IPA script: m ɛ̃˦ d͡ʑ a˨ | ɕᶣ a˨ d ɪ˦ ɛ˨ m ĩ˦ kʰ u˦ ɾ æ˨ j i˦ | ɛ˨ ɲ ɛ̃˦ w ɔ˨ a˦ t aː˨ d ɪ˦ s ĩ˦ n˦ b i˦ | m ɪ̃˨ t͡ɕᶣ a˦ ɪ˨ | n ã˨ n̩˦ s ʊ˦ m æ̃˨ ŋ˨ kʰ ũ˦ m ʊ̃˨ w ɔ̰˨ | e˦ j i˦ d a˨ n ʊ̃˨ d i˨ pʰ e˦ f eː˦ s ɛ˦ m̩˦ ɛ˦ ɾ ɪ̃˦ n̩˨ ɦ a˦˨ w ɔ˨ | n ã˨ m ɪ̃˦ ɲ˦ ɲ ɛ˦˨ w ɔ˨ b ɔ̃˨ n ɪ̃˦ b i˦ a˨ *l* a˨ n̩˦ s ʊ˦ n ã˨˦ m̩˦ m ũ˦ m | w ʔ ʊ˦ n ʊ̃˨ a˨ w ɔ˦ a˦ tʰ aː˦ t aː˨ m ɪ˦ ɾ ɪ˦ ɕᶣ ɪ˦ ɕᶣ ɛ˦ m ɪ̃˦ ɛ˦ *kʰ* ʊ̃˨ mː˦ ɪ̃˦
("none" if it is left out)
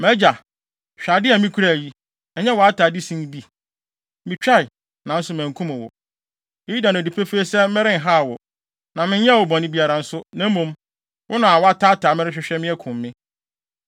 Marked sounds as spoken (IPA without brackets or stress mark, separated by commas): ɾ, kʰ